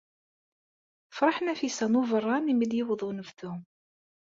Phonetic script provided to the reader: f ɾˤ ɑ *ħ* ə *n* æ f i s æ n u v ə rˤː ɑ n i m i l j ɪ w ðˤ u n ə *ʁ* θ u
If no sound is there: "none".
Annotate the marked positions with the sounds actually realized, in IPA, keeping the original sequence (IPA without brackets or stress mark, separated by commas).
ħ, n, v